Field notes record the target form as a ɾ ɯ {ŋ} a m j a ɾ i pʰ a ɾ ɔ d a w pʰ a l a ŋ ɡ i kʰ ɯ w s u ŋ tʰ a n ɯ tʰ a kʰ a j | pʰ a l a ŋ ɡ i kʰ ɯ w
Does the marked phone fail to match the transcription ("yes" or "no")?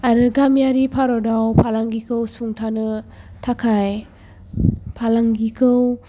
yes